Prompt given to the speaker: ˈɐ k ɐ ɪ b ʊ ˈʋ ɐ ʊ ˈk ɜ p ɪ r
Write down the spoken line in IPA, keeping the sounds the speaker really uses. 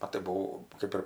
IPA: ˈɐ t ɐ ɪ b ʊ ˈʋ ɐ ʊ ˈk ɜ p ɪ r

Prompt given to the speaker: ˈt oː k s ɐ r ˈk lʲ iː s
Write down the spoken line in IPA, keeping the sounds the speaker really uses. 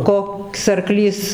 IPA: ˈk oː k s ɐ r ˈk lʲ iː s

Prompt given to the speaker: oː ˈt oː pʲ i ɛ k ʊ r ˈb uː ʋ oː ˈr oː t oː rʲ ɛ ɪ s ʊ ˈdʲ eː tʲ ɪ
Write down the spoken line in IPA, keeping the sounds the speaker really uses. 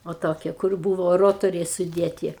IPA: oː ˈt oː kʲ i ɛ k ʊ r ˈb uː ʋ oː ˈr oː t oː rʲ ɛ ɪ s ʊ ˈdʲ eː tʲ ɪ

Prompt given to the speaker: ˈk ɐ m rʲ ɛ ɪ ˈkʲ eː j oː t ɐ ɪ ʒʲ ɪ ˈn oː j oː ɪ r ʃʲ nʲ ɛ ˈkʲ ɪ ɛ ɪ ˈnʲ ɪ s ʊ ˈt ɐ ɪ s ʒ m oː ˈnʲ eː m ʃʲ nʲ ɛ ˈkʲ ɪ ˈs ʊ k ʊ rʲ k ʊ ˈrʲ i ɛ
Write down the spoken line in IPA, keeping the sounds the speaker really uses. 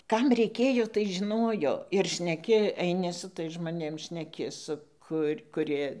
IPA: ˈk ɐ m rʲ ɛ ɪ ˈkʲ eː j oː t ɐ ɪ ʒʲ ɪ ˈn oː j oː ɪ r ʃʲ nʲ ɛ ˈkʲ ɪ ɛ ɪ ˈnʲ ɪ s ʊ ˈt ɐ ɪ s ʒ m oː ˈnʲ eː m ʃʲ nʲ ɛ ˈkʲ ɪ ˈs ʊ k ʊ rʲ k ʊ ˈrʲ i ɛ

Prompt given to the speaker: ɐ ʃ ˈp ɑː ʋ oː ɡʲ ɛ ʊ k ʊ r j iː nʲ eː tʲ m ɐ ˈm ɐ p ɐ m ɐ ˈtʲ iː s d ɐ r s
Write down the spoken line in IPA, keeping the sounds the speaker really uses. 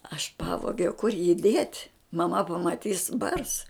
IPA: ɐ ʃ ˈp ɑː ʋ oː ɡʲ ɛ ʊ k ʊ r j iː dʲ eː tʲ m ɐ ˈm ɐ p ɐ m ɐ ˈtʲ iː s b ɐ r s

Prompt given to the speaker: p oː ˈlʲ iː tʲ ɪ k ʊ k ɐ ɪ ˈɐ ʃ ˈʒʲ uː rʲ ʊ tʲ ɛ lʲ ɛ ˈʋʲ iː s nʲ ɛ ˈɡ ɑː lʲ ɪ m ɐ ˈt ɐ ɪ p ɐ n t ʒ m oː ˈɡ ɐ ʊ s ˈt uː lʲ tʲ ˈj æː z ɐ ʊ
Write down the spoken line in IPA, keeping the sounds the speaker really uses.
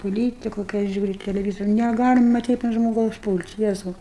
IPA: p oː ˈlʲ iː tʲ ɪ k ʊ k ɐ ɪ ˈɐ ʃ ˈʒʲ uː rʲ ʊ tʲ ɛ lʲ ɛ ˈʋʲ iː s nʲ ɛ ˈɡ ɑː lʲ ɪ m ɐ ˈt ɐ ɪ p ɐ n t ʒ m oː ˈɡ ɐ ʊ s ˈp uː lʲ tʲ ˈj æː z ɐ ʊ

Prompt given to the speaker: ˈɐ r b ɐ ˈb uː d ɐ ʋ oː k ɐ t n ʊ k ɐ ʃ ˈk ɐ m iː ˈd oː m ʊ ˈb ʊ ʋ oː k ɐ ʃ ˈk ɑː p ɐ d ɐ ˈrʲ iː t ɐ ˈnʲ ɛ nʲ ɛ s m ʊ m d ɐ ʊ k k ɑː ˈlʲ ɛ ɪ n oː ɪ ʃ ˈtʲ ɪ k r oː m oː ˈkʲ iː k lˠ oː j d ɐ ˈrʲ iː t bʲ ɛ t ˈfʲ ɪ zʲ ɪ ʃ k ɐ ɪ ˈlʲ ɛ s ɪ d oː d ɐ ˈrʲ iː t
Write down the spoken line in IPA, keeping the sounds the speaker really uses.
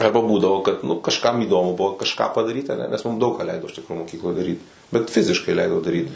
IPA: ˈɐ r b ɐ ˈb uː d ɐ ʋ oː k ɐ t n ʊ k ɐ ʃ ˈk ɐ m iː ˈd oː m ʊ ˈb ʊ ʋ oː k ɐ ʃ ˈk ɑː p ɐ d ɐ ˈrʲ iː t ɐ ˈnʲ ɛ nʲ ɛ s m ʊ m d ɐ ʊ k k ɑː ˈlʲ ɛ ɪ d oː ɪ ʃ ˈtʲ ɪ k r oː m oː ˈkʲ iː k lˠ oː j d ɐ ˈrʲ iː t bʲ ɛ t ˈfʲ ɪ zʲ ɪ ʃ k ɐ ɪ ˈlʲ ɛ ɪ d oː d ɐ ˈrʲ iː t

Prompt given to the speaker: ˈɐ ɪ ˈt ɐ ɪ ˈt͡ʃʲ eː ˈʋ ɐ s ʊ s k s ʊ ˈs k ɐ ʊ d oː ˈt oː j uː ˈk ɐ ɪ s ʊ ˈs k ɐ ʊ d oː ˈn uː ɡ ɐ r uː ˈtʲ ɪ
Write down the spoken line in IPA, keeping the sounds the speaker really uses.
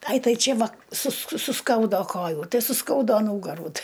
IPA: ˈɐ ɪ ˈt ɐ ɪ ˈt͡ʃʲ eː ˈʋ ɐ s ʊ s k s ʊ ˈs k ɐ ʊ d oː ˈk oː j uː ˈt ɐ ɪ s ʊ ˈs k ɐ ʊ d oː ˈn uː ɡ ɐ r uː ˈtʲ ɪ

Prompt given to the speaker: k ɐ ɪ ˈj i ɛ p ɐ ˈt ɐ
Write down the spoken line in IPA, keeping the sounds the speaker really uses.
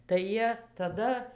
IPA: t ɐ ɪ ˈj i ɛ t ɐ ˈd ɐ

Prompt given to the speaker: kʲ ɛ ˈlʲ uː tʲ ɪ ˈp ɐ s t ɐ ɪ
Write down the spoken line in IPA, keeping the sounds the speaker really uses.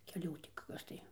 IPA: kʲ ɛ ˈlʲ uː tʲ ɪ ˈk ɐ s t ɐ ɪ

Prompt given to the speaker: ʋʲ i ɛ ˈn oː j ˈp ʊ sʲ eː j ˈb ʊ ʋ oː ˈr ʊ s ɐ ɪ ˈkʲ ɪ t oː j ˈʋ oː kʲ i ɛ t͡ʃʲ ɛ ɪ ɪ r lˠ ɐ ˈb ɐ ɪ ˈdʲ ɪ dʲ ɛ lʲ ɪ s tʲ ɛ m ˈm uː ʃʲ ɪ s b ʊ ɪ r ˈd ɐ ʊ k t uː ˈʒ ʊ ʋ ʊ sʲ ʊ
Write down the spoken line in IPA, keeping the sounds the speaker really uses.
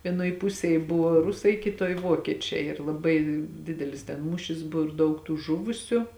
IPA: ʋʲ i ɛ ˈn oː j ˈp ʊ sʲ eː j ˈb ʊ ʋ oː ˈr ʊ s ɐ ɪ ˈkʲ ɪ t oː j ˈʋ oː kʲ i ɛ t͡ʃʲ ɛ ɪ ɪ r lˠ ɐ ˈb ɐ ɪ ˈdʲ ɪ dʲ ɛ lʲ ɪ s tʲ ɛ n ˈm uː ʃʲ ɪ s b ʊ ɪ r ˈd ɐ ʊ k t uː ˈʒ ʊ ʋ ʊ sʲ ʊ

